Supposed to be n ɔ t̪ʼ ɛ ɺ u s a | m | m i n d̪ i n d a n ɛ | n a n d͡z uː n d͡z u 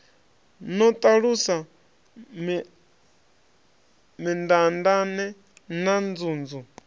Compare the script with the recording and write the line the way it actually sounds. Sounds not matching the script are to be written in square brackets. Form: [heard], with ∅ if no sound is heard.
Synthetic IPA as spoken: n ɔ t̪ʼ [a] ɺ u s a | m | m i n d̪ [a] n d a n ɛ | n a n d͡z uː n d͡z u